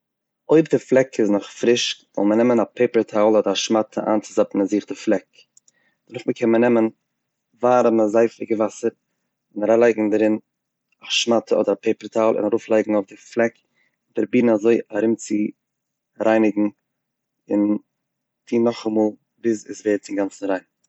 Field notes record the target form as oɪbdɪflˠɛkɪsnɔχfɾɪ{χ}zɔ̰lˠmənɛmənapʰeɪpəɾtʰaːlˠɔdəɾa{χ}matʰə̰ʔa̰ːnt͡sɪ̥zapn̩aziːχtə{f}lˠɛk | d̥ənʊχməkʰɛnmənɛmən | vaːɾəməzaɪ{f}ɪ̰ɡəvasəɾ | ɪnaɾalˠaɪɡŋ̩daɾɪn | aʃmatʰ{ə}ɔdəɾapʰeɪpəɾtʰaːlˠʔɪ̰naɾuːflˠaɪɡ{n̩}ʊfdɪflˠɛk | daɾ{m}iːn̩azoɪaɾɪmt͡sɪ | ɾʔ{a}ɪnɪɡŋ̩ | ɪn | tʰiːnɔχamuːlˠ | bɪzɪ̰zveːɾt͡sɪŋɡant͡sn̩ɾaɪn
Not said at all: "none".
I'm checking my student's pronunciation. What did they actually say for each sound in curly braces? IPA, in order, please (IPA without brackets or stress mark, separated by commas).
ʃ, ʃ, f, f, ə, ŋ̩, b, a